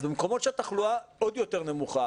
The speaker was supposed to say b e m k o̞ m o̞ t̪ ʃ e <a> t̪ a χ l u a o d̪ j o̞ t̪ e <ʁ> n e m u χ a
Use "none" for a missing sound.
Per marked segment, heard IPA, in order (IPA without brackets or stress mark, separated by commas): a, ʁ